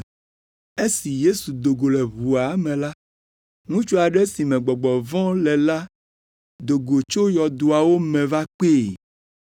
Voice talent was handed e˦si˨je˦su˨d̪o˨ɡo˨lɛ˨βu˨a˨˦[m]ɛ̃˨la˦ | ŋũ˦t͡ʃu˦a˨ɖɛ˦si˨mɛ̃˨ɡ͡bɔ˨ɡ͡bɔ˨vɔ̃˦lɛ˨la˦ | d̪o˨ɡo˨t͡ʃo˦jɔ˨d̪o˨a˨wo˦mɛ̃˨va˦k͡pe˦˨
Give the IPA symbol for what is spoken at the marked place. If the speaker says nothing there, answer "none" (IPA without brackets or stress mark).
m